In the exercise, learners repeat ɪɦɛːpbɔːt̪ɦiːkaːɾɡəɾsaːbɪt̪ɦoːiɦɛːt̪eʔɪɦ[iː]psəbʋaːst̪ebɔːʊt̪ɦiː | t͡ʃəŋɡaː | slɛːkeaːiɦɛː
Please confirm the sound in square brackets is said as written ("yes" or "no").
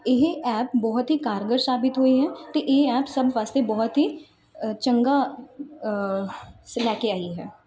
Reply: no